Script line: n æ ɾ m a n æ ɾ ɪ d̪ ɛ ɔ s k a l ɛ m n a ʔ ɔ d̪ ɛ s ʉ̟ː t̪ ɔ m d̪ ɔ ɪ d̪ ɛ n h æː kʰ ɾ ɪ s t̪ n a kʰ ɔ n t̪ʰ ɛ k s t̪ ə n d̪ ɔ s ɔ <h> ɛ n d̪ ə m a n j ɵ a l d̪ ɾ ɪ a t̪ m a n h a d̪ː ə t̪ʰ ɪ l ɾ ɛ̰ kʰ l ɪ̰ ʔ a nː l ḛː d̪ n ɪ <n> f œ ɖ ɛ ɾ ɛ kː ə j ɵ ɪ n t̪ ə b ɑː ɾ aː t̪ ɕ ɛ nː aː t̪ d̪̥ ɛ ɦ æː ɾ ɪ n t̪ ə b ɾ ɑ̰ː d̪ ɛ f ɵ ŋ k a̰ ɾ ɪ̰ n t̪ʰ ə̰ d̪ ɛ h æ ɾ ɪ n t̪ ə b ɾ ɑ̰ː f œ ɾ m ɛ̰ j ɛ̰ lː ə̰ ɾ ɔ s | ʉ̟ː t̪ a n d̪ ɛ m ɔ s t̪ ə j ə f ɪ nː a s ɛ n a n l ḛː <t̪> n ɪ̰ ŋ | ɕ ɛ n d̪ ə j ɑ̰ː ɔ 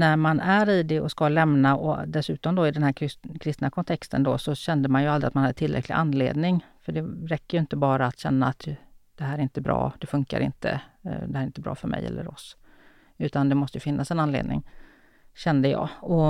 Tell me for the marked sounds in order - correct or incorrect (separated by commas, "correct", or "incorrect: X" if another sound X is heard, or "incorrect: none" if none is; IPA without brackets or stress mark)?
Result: incorrect: ɕ, incorrect: ŋ, incorrect: d̪